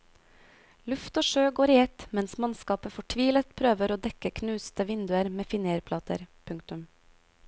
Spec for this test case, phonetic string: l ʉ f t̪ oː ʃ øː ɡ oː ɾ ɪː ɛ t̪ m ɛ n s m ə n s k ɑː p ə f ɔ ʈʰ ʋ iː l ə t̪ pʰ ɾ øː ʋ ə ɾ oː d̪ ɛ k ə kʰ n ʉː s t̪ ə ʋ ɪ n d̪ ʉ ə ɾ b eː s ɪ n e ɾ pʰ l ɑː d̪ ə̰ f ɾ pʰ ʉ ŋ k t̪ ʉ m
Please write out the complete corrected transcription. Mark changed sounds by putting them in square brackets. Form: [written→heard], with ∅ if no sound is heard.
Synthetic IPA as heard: l ʉ f t̪ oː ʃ øː ɡ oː ɾ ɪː ɛ t̪ m ɛ n s m [ə→ɑ] n s k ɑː p ə f ɔ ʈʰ ʋ iː l ə t̪ pʰ ɾ øː ʋ ə ɾ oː d̪ ɛ k ə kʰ n ʉː s t̪ ə ʋ ɪ n d̪ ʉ ə ɾ [b→m] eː [s→f] ɪ n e ɾ pʰ l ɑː [d̪→t̪] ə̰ [f→∅] ɾ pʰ ʉ ŋ k t̪ ʉ m